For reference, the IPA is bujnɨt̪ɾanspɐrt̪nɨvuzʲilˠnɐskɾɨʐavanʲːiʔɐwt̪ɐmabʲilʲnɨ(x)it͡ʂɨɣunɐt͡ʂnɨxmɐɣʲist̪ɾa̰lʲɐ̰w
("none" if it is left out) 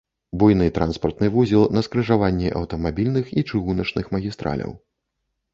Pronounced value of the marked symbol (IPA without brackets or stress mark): x